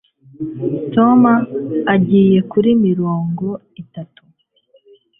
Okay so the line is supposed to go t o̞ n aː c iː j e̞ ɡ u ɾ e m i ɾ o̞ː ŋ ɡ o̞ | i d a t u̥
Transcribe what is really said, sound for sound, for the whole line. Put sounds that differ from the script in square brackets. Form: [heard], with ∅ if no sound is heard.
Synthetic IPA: t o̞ [m] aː [ɟ] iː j e̞ [k] u ɾ [i] m i ɾ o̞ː ŋ ɡ o̞ | i [t] a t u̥

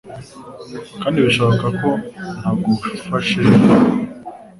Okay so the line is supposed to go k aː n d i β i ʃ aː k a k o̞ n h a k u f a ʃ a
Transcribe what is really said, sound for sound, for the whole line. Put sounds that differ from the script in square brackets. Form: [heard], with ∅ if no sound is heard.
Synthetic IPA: k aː n d i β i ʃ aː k a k o̞ n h a [ɡ] u f a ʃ [e]

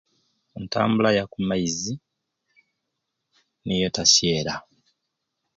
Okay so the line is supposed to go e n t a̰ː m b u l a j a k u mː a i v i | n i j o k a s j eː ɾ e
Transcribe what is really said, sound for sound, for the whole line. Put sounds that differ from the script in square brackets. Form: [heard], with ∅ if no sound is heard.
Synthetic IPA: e n t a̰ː m b u l a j a k u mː a i [z] i | n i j o [t] a s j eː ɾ [a]

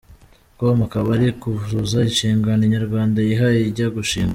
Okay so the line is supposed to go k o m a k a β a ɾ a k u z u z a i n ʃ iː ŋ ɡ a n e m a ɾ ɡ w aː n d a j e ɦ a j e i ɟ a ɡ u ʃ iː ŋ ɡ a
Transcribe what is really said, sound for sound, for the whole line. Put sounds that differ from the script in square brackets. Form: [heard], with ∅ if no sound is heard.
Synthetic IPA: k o m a k a β a ɾ [i] k u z u z a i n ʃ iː ŋ ɡ a n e [ɲ] a ɾ ɡ w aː n d a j [i] ɦ a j e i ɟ a ɡ u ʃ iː ŋ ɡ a

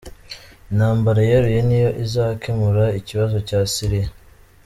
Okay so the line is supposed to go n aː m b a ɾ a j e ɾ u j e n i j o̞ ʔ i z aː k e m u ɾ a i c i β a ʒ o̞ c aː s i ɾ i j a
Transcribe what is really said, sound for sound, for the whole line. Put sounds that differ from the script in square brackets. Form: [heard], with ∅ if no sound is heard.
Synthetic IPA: n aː m b a ɾ a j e ɾ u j e n i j o̞ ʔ i z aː k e m u ɾ a i c i β a [z] o̞ c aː s i ɾ i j a

